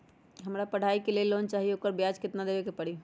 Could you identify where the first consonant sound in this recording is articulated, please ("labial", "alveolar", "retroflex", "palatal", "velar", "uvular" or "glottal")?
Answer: glottal